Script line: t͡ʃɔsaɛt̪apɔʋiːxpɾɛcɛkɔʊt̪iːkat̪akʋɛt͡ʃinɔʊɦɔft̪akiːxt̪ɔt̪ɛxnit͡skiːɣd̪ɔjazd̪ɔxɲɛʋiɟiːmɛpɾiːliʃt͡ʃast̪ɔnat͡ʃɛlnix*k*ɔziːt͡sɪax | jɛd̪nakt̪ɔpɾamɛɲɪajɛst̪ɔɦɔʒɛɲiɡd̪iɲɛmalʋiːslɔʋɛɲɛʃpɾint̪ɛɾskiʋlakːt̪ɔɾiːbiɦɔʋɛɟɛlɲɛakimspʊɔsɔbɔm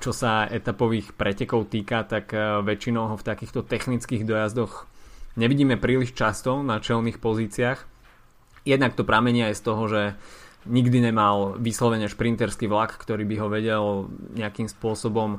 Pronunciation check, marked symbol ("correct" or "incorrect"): incorrect